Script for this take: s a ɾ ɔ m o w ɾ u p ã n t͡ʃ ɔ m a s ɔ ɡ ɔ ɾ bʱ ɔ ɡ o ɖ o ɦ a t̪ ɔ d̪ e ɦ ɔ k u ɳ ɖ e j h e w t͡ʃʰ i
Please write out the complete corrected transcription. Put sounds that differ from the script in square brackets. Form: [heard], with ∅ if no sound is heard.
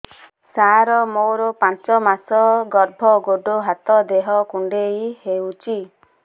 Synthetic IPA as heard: s a ɾ ɔ m o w ɾ [ɔ] p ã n t͡ʃ ɔ m a s ɔ ɡ ɔ ɾ bʱ ɔ ɡ o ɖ o ɦ a t̪ ɔ d̪ e ɦ ɔ k u ɳ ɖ e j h e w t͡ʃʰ i